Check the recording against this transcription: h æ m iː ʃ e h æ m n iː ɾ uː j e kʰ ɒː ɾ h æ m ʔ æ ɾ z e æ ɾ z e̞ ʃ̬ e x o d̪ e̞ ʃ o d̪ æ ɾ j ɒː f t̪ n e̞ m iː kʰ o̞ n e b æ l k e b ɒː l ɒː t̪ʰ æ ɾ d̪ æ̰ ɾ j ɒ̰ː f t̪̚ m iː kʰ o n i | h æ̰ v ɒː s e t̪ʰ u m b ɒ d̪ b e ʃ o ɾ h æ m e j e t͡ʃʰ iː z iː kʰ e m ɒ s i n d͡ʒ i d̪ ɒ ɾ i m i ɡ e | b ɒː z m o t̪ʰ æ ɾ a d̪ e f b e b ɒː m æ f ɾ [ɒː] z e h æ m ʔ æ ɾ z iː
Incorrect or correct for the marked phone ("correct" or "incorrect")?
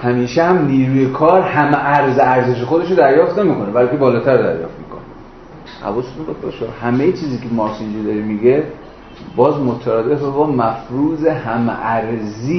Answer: incorrect